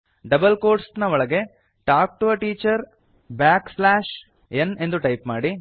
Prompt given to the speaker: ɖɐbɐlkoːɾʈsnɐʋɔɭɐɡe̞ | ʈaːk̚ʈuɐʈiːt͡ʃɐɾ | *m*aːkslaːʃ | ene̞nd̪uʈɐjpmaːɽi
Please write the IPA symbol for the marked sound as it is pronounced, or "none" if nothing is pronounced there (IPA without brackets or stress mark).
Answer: b